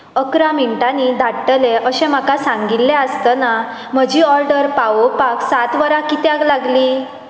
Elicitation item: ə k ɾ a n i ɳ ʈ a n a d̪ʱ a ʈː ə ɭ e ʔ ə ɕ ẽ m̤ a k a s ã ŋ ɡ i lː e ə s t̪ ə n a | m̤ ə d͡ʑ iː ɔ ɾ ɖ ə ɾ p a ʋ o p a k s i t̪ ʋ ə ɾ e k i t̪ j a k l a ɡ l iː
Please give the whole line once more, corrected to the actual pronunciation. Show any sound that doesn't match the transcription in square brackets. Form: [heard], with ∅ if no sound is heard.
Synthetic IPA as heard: ə k ɾ a [m] i ɳ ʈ a n [i] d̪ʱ a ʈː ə [l] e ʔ ə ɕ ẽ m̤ a k a s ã ŋ ɡ i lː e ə s t̪ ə n a | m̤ ə d͡ʑ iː ɔ ɾ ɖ ə ɾ p a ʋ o p a k s [a] t̪ ʋ ə ɾ [a] k i t̪ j a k l a ɡ l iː